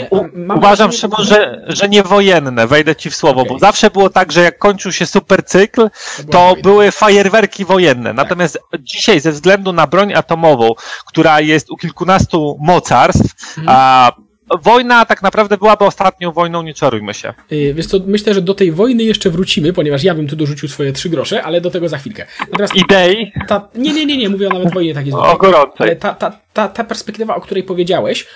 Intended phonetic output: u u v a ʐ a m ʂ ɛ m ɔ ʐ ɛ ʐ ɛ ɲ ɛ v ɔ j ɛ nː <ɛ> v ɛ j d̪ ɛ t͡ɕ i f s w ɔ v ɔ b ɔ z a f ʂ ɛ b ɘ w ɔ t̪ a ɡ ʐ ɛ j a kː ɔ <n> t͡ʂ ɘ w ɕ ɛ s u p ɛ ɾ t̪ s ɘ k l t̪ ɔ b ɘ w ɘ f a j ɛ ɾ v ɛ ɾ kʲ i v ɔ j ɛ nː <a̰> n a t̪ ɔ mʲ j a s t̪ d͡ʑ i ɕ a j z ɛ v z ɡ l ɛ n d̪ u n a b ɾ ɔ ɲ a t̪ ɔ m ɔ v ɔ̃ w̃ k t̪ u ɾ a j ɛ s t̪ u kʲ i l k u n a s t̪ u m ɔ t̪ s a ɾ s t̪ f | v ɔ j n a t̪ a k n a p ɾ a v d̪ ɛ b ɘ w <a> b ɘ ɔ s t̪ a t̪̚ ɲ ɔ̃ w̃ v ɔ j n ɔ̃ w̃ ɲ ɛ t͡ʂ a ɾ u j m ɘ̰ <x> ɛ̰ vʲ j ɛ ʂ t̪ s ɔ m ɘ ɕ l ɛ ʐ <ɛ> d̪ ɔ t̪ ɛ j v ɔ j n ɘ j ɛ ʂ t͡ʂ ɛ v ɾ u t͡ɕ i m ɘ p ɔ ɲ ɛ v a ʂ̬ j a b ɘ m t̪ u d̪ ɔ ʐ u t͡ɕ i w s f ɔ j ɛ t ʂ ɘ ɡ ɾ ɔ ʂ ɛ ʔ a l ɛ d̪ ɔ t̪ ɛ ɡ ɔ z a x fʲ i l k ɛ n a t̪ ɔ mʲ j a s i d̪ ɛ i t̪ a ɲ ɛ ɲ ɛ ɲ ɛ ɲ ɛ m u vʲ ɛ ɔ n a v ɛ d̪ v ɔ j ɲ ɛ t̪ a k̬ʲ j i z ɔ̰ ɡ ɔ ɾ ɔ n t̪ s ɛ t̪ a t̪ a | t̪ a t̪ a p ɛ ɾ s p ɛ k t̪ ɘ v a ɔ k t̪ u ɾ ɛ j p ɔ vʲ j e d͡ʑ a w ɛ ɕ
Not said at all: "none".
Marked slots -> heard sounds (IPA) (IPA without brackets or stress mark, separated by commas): ɛ, ɲ, ɛ̰, a, ɕ, ɛ